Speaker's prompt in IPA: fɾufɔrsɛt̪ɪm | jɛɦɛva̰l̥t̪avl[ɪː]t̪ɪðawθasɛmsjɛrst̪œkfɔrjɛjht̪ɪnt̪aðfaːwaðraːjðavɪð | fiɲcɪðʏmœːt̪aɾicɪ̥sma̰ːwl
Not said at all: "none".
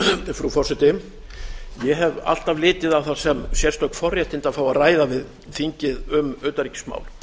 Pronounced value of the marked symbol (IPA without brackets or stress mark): ɪː